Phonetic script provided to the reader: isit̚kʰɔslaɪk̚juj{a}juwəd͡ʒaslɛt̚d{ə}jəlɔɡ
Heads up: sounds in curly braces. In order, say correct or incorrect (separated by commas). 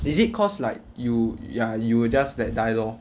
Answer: correct, incorrect